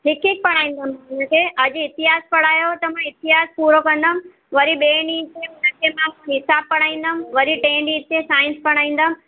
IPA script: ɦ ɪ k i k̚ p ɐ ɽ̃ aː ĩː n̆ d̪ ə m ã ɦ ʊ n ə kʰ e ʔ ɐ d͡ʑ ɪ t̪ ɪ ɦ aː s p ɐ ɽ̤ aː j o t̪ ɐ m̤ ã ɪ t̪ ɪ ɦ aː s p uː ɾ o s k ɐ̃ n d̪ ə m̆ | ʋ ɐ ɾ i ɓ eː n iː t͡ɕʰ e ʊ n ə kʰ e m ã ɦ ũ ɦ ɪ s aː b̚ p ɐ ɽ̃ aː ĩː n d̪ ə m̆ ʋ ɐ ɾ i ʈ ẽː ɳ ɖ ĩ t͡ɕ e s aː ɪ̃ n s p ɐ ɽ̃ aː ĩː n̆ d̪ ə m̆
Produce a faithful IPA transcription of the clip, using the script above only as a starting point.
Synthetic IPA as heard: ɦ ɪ k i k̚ p ɐ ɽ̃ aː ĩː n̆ d̪ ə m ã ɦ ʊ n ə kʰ e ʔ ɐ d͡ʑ ɪ t̪ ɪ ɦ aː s p ɐ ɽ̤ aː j o t̪ ɐ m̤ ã ɪ t̪ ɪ ɦ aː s p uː ɾ o k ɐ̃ n d̪ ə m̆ | ʋ ɐ ɾ i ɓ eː n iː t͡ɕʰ e ʊ n ə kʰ e m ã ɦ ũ ɦ ɪ s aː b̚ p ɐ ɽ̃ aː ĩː n d̪ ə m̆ ʋ ɐ ɾ i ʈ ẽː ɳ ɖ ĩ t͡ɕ e s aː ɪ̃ n s p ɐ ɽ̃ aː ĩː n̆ d̪ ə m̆